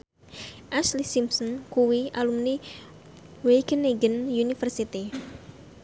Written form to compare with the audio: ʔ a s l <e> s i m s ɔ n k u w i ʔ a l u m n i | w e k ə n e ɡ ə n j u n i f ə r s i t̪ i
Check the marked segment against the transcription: incorrect: i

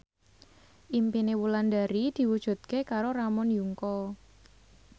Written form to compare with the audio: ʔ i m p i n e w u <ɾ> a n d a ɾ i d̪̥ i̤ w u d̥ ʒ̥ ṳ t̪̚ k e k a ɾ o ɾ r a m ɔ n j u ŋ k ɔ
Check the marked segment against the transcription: incorrect: l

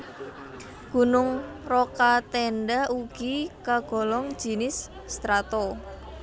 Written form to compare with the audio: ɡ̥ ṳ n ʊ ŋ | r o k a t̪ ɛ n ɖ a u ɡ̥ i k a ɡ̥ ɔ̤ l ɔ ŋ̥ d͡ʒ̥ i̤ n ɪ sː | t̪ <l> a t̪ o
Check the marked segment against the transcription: incorrect: ɾ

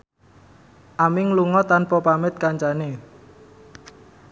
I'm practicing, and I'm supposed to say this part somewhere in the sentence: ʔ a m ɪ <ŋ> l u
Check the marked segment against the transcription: correct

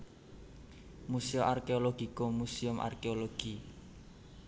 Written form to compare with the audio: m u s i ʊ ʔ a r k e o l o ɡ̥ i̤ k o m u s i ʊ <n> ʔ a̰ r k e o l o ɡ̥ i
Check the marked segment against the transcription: incorrect: m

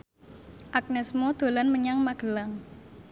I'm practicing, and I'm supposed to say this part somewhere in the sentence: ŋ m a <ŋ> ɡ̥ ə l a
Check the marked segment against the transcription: incorrect: none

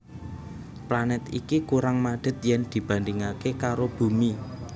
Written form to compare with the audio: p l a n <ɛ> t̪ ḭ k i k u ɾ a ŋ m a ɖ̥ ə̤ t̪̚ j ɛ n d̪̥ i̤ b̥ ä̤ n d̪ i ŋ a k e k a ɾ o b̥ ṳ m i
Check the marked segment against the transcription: correct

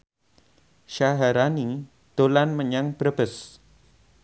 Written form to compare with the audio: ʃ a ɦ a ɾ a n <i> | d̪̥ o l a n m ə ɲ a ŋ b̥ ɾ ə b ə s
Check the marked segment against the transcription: correct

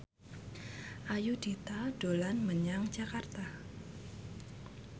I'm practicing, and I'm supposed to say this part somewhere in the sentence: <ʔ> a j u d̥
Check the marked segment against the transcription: correct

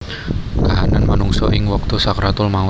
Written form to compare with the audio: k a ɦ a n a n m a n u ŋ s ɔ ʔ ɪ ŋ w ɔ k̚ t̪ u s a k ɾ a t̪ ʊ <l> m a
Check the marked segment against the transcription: correct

